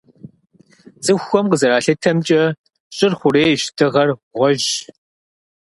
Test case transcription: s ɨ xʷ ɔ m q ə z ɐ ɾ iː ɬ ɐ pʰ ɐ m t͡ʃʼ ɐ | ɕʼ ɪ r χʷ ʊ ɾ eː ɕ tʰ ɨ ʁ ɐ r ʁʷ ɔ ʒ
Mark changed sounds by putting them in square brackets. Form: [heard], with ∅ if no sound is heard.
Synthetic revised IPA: [z] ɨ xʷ ɔ m q ə z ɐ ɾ [aː] ɬ ɐ [tʰ] ɐ m t͡ʃʼ ɐ | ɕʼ ɪ r χʷ ʊ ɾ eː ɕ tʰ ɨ ʁ ɐ r ʁʷ ɔ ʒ